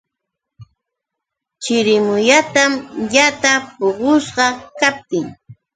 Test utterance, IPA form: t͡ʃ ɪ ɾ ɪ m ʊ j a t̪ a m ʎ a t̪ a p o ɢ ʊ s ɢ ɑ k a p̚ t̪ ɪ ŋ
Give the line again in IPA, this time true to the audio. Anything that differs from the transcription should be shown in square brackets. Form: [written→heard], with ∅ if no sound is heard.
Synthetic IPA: t͡ʃ ɪ ɾ ɪ m ʊ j a t̪ a m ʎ a t̪ a p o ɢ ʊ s ɢ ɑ k a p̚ t̪ ɪ ŋ